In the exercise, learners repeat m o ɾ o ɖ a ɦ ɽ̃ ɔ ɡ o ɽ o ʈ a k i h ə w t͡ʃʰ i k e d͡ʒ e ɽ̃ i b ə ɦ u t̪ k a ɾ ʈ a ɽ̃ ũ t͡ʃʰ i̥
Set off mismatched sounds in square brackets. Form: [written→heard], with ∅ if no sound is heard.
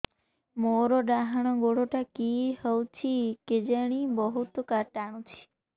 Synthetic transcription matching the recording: m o ɾ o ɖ a ɦ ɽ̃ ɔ ɡ o ɽ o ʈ a k i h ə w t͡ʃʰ i k e d͡ʒ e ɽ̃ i b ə ɦ u t̪ k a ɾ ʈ a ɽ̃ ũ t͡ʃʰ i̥